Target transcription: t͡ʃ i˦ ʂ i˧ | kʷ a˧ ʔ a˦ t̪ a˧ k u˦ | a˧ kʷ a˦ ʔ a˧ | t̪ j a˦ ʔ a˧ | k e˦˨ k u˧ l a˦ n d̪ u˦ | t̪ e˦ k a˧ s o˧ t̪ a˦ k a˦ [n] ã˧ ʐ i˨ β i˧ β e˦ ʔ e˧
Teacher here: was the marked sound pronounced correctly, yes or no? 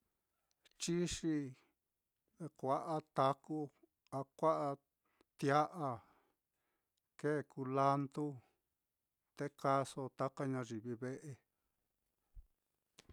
no